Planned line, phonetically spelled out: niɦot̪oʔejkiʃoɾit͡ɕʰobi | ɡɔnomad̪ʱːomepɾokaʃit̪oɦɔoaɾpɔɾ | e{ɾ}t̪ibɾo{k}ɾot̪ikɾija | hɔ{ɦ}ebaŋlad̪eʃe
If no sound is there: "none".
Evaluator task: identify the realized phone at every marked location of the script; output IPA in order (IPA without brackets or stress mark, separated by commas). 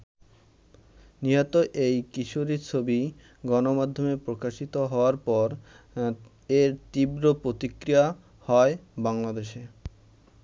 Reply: ɾ, p, none